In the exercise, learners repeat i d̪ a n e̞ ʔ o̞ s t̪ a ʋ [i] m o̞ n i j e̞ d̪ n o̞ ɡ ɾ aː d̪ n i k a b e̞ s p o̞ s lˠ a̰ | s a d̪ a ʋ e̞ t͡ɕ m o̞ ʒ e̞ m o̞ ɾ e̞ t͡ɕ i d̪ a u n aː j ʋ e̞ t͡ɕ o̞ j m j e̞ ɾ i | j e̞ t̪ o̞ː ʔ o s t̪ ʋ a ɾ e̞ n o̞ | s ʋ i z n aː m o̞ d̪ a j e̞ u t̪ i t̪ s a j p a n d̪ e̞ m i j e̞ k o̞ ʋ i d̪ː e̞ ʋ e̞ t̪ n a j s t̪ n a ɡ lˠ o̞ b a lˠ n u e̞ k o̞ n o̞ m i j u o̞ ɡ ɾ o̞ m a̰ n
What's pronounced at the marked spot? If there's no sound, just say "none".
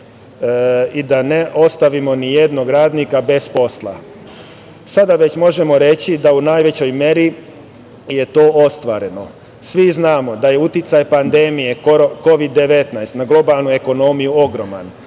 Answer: i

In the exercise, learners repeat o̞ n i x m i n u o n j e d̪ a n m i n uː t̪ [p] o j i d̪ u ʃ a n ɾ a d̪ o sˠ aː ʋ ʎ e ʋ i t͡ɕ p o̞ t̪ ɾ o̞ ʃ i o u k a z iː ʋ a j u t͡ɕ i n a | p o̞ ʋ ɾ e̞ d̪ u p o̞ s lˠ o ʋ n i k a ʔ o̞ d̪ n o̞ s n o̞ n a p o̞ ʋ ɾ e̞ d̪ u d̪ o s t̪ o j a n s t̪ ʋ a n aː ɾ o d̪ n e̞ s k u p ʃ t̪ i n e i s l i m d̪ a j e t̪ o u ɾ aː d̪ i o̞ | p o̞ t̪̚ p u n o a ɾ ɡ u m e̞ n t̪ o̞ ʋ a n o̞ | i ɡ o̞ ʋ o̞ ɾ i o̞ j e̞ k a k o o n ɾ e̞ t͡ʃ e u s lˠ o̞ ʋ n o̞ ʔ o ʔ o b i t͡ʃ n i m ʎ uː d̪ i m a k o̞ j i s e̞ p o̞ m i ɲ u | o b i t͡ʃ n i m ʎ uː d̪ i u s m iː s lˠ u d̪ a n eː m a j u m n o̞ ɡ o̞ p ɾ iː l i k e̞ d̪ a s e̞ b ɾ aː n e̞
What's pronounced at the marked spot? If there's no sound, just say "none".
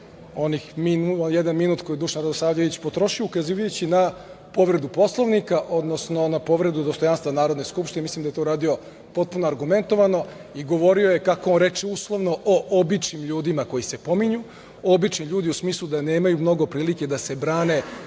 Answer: k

